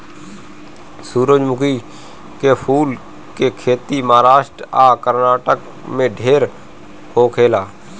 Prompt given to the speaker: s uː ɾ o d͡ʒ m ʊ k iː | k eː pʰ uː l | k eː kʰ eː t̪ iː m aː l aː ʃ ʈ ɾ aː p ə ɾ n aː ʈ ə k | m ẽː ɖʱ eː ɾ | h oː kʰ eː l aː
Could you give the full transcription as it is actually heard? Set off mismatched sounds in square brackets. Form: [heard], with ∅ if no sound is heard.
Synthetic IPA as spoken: s uː ɾ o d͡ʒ m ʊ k iː | k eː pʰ uː l | k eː kʰ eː t̪ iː m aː [ɾ] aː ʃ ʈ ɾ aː [k] ə ɾ n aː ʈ ə k | m ẽː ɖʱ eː ɾ | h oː kʰ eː l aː